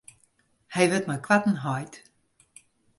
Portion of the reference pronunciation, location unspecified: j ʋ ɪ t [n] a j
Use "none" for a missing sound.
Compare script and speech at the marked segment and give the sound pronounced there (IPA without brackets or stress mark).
m